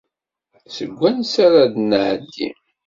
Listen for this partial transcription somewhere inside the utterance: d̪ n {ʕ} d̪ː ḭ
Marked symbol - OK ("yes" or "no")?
yes